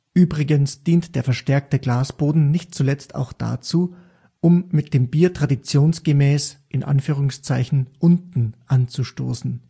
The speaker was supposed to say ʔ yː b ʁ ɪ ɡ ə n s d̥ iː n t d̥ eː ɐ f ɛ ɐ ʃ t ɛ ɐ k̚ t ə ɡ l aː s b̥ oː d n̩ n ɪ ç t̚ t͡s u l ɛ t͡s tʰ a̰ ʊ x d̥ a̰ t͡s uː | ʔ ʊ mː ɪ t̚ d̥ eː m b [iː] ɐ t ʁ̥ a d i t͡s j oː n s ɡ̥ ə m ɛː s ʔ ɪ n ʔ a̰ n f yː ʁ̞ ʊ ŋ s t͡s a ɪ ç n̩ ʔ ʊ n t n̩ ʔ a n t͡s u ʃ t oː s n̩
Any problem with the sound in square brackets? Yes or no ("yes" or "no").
no